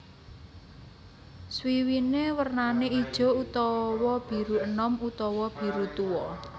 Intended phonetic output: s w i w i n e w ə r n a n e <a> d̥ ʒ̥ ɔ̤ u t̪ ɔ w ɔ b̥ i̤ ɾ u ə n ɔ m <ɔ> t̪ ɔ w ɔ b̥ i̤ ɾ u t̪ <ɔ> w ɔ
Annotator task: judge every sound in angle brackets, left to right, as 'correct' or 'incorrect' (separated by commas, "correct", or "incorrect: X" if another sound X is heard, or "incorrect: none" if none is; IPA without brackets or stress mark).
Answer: incorrect: i, incorrect: u, incorrect: u